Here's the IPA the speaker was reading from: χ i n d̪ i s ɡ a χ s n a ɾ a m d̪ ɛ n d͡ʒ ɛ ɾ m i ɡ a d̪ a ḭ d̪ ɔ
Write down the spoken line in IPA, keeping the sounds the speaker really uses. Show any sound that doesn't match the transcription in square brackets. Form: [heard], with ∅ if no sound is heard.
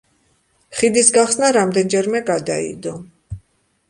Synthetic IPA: χ i [∅] d̪ i s ɡ a χ s n a ɾ a m d̪ ɛ n d͡ʒ ɛ ɾ m [ɛ] ɡ a d̪ a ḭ d̪ ɔ